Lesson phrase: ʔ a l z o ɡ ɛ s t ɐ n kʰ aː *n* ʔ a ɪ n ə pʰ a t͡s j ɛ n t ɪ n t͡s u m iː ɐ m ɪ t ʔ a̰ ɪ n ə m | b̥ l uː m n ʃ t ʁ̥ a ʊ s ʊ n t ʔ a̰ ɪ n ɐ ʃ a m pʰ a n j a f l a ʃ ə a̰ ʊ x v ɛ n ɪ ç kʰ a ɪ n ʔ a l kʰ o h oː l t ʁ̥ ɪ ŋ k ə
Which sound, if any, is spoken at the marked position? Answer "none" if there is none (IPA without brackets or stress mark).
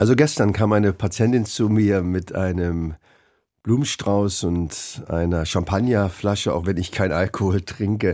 m